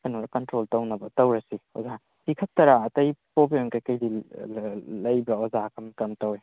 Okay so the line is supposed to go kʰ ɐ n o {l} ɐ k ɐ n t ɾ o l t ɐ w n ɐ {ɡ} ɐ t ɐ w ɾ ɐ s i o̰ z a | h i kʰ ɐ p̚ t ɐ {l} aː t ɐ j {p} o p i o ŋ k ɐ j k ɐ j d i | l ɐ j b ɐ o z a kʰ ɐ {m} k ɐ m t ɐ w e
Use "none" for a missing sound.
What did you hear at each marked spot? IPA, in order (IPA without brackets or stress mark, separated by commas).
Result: ɾ, b, ɾ, p, m